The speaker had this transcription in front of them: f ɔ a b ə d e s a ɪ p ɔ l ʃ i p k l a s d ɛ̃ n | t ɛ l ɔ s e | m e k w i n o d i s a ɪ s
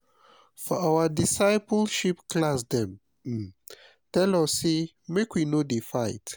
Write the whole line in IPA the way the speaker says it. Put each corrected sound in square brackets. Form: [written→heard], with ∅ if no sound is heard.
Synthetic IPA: f ɔ a [b→w] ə d [e→i] s a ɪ p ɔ l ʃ i p k l a s d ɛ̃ [n→m] | t ɛ l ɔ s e | m e k w i n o d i [s→f] a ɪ [s→t]